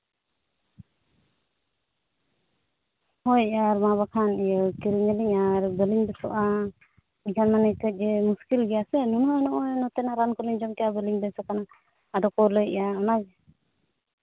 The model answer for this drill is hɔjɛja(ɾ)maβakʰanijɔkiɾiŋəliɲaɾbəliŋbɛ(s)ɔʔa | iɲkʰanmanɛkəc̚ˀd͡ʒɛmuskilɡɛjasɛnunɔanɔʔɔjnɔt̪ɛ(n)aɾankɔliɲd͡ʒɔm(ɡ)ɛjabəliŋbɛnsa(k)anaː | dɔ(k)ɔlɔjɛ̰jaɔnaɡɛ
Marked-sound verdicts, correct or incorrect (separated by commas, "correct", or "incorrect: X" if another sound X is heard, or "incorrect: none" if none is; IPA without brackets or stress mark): correct, correct, correct, incorrect: k, correct, correct